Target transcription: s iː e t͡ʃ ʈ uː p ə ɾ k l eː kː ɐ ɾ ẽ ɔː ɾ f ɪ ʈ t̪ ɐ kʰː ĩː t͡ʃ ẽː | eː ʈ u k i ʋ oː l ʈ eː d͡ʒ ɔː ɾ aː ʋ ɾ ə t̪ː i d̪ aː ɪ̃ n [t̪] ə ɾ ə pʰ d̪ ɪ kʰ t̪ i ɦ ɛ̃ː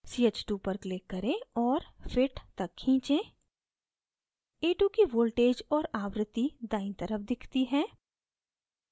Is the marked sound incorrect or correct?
correct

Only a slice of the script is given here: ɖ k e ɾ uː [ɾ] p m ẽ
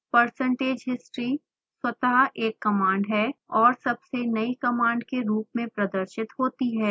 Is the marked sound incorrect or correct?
incorrect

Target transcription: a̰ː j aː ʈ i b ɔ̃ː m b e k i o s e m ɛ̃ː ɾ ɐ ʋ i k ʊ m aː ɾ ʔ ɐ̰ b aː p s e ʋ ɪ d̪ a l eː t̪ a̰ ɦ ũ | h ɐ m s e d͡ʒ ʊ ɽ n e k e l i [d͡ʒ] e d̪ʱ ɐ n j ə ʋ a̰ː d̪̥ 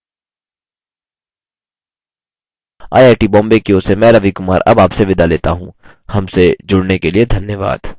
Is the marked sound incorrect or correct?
incorrect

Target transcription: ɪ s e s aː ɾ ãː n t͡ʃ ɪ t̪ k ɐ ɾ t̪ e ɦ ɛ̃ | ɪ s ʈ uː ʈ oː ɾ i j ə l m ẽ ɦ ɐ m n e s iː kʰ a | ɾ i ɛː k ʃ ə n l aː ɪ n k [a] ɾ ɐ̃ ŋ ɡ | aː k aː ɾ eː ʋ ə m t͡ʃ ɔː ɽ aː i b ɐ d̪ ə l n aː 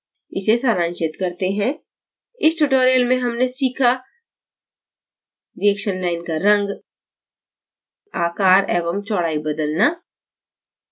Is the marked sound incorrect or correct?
correct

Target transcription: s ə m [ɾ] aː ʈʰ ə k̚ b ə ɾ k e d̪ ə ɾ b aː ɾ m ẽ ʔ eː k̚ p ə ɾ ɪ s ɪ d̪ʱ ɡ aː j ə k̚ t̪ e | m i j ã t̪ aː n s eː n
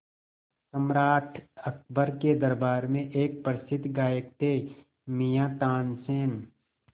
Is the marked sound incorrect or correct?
correct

